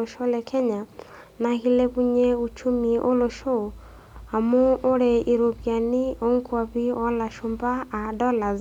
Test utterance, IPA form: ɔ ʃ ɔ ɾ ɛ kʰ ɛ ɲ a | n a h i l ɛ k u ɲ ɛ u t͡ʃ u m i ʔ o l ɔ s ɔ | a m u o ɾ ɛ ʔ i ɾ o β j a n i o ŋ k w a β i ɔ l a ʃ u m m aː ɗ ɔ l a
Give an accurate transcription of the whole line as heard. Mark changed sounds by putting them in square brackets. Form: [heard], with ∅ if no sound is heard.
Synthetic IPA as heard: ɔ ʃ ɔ [l] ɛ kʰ ɛ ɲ a | n a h i l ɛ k u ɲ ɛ u t͡ʃ u m i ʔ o l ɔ [ʃ] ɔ | a m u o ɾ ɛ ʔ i ɾ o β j a n i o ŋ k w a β i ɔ l a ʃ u m [b] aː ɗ ɔ l a